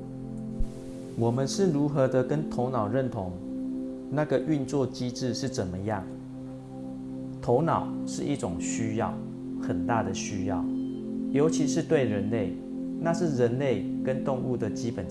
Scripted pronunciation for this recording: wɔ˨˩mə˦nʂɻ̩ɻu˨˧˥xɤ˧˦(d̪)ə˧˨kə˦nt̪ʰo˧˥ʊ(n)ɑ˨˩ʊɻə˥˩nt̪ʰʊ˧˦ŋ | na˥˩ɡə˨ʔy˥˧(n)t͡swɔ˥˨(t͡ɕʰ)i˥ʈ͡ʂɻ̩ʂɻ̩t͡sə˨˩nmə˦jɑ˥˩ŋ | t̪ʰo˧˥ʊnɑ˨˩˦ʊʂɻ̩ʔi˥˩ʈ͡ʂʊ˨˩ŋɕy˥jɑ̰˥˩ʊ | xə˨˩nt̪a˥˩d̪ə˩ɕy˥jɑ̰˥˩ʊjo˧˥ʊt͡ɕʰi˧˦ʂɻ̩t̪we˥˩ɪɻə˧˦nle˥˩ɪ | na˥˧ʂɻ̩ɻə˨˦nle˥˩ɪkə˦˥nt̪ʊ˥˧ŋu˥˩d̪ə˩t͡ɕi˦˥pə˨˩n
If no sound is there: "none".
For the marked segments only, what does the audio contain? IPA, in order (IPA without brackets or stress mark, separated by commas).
d̪, n, n, t͡ɕ